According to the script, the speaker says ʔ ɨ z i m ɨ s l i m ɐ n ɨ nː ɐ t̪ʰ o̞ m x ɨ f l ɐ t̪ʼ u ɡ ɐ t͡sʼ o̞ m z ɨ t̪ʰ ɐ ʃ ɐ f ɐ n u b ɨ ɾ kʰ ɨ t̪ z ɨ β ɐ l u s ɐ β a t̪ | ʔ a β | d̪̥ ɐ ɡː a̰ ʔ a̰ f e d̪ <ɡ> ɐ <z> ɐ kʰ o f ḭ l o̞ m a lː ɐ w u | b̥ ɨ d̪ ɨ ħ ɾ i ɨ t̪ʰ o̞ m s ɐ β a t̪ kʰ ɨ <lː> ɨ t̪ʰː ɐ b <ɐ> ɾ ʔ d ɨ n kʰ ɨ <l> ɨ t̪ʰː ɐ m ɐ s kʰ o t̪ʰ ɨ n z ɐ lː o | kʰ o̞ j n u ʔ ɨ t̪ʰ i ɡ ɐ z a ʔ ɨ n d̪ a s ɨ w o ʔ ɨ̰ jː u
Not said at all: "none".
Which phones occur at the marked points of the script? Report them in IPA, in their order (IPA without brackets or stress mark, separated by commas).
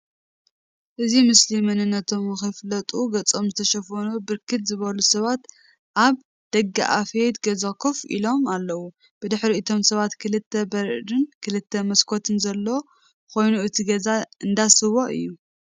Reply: ɡ, z, l, ɐ, l